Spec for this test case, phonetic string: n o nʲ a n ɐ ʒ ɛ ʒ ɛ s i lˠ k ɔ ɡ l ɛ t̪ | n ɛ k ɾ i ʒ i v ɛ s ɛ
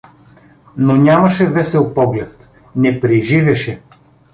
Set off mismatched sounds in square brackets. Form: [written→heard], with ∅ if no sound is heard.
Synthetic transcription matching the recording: n o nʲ a [n→m] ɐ [ʒ→ʃ] ɛ [ʒ→v] ɛ s [i→ɛ] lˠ [k→p] ɔ ɡ l ɛ t̪ | n ɛ [k→p] ɾ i ʒ i v ɛ [s→ʃ] ɛ